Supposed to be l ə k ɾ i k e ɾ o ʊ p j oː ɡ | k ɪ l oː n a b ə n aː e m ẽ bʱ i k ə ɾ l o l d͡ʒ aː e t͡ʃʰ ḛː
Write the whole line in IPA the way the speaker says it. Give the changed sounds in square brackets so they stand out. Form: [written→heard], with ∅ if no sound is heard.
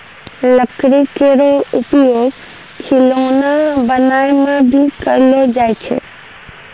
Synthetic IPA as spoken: l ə k ɾ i k e ɾ o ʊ p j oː ɡ | [k→kʰ] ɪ l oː n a b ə n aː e m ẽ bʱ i k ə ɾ l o [l→∅] d͡ʒ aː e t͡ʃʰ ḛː